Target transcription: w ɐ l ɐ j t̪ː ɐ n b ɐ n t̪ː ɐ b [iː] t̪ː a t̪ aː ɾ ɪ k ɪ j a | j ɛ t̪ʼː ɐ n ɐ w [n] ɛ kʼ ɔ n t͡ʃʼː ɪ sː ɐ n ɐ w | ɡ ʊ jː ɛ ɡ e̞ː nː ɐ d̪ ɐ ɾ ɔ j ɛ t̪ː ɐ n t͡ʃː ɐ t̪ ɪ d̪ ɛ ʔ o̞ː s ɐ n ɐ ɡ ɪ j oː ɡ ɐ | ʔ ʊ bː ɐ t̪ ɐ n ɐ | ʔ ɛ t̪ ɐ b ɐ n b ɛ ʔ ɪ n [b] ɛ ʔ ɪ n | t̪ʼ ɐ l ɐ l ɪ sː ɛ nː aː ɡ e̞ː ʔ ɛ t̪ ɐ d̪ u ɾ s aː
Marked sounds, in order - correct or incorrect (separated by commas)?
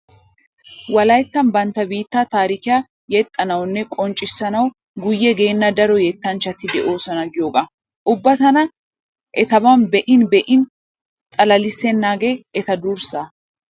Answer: correct, incorrect, correct